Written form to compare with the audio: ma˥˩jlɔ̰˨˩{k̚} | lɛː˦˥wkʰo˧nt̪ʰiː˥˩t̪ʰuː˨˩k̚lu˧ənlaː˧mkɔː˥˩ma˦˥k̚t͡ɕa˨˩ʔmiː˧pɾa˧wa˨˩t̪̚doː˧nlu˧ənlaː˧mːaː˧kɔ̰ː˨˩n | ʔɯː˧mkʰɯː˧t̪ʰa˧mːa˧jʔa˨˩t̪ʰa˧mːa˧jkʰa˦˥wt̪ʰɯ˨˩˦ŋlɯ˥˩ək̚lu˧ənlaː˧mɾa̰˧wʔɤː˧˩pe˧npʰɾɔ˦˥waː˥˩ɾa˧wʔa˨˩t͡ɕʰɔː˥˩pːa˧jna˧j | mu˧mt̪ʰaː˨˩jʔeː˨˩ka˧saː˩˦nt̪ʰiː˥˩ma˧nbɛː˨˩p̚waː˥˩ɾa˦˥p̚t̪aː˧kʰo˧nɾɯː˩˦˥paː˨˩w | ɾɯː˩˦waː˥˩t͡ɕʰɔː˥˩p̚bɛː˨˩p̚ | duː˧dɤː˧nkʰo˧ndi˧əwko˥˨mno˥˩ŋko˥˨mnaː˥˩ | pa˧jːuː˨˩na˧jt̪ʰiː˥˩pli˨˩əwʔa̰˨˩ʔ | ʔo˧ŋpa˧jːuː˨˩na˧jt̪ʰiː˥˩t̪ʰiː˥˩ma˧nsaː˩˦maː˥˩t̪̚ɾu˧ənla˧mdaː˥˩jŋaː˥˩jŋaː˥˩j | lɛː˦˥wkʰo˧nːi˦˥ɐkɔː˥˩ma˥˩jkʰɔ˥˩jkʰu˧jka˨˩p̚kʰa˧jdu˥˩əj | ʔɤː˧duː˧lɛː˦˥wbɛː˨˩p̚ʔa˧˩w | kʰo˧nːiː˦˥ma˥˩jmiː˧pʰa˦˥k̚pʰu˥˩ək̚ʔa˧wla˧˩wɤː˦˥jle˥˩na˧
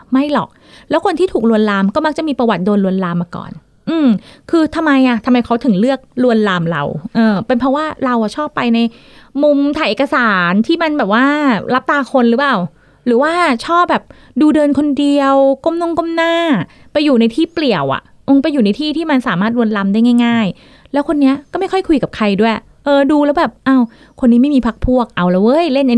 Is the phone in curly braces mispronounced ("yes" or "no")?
no